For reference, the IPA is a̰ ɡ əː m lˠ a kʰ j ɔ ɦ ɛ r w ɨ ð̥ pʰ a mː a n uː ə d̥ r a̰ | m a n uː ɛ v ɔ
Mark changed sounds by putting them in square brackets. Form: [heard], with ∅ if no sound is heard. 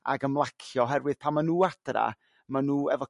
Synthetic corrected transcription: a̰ ɡ [ə] m lˠ a kʰ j ɔ ɦ ɛ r w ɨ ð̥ pʰ a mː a n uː [a] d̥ r a̰ | m a n uː ɛ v ɔ

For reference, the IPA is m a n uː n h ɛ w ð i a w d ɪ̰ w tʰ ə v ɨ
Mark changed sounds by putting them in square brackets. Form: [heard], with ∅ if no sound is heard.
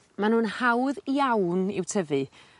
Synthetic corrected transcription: m a n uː n h [a] w ð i a w [n] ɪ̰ w tʰ ə v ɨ

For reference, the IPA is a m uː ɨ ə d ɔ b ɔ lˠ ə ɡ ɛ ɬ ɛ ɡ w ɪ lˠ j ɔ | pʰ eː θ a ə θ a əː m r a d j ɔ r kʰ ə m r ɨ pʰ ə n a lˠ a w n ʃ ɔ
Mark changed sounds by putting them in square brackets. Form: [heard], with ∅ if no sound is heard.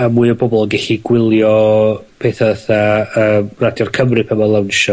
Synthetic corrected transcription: a m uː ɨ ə [b] ɔ b ɔ lˠ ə ɡ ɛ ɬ [i] ɡ w ɪ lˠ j ɔ | pʰ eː θ a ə θ a əː m r a d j ɔ r kʰ ə m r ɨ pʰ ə [m] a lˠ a w n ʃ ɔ

